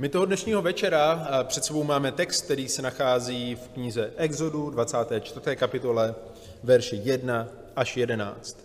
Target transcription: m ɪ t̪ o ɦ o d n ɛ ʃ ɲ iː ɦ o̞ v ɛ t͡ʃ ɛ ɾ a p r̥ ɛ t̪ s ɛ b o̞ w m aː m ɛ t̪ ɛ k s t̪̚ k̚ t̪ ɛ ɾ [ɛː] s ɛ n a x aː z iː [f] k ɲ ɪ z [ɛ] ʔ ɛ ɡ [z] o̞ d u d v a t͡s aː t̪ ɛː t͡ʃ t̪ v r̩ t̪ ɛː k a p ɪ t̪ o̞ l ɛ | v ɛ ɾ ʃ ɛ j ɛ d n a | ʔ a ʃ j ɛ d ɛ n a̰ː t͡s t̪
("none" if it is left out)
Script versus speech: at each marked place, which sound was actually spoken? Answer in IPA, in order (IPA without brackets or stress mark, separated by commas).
iː, f, ɛ, z